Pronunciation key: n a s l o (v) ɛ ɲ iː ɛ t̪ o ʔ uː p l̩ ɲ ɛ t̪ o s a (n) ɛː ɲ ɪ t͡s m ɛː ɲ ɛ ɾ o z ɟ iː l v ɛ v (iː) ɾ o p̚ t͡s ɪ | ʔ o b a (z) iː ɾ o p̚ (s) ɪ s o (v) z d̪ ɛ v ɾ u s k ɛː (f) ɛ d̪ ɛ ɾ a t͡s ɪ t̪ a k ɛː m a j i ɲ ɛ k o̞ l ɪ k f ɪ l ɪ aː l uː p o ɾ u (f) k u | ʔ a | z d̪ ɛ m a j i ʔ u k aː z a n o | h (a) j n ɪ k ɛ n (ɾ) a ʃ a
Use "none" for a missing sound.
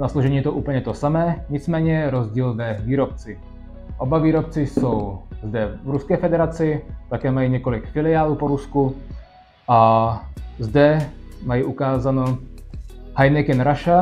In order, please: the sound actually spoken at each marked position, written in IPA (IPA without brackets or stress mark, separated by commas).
ʒ, m, iː, v, t͡s, w, f, s, a, ɾ